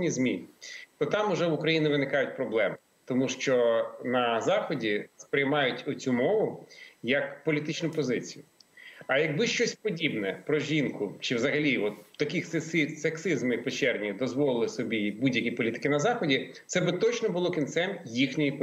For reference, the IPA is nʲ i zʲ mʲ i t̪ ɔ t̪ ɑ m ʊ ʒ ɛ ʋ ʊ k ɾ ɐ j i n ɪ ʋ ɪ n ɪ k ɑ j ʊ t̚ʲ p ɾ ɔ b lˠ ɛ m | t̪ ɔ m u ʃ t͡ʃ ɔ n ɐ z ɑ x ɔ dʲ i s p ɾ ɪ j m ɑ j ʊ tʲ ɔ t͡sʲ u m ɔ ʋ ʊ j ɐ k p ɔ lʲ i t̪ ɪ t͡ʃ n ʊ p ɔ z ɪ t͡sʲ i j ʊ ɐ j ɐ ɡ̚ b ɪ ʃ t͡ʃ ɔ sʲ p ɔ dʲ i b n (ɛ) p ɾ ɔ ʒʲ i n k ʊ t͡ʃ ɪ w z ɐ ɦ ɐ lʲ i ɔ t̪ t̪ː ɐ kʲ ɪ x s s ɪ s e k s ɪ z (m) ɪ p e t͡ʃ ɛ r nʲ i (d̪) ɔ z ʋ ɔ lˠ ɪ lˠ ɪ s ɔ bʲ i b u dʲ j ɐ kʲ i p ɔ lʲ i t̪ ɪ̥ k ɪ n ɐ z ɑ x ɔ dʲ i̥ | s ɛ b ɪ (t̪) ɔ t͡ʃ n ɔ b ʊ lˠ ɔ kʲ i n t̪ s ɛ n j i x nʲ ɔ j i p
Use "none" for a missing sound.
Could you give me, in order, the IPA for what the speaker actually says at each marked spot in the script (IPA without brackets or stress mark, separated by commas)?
ɛ, m, d̪, t̪